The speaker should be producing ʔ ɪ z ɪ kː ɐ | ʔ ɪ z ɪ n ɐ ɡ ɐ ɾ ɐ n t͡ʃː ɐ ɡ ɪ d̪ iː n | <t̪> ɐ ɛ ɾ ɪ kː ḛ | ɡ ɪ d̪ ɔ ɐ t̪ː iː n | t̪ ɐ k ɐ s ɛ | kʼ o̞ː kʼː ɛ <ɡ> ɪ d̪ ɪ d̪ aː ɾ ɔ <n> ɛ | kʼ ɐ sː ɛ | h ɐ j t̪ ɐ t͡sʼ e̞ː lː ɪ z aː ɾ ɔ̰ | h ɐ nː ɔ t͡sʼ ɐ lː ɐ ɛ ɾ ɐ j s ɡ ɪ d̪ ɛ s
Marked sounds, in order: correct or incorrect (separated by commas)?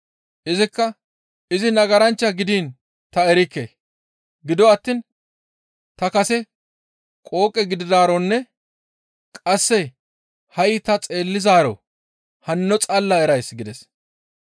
correct, correct, incorrect